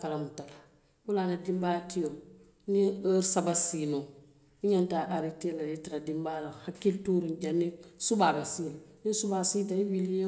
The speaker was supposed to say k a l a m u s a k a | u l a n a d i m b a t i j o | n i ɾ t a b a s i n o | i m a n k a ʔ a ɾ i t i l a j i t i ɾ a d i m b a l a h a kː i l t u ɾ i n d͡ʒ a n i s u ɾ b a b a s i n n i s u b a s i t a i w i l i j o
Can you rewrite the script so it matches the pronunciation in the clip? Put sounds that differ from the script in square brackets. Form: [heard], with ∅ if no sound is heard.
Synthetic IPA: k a l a m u [t] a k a | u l a n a d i m b a t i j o | n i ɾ [s] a b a s i n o | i [ɲ] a n [t] a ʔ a ɾ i t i l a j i t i ɾ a d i m b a l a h a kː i l t u ɾ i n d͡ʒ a n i s u [∅] b a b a s i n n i s u b a s i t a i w i l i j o